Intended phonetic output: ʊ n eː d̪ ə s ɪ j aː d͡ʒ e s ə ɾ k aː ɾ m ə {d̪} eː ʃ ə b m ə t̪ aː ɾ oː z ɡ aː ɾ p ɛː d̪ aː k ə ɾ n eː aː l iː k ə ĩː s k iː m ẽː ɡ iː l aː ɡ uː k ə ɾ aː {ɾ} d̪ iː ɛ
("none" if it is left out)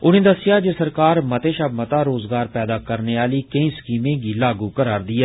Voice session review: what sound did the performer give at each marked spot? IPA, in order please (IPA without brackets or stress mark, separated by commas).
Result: t̪, ɾ